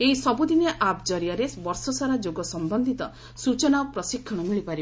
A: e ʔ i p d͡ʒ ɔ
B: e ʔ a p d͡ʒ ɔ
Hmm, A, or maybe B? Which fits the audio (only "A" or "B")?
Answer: B